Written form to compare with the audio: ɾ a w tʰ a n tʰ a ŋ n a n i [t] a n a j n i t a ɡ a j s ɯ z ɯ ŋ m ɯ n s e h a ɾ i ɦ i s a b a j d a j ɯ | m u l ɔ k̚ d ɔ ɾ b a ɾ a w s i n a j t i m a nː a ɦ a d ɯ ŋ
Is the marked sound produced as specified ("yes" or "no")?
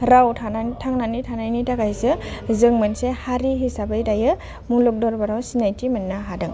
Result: no